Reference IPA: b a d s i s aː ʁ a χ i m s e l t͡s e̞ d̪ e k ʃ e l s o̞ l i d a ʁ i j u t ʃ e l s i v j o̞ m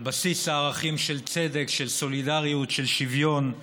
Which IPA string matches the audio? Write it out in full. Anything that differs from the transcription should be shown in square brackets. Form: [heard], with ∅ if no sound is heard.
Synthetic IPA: b a [∅] s i s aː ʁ a χ i m [ʃ] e l t͡s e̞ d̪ e k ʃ e l s o̞ l i d a ʁ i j u t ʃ e l [ʃ] i v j o̞ [n]